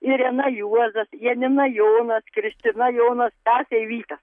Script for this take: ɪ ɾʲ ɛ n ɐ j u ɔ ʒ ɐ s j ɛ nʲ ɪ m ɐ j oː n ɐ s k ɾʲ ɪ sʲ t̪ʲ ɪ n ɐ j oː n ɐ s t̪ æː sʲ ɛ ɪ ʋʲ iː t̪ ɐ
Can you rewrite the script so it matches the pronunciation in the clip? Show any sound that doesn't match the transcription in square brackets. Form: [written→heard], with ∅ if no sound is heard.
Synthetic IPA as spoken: ɪ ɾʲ ɛ n ɐ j u ɔ [ʒ→z] ɐ s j ɛ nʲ ɪ [m→n] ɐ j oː n ɐ s k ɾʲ ɪ sʲ t̪ʲ ɪ n ɐ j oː n ɐ s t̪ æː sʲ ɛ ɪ ʋʲ iː t̪ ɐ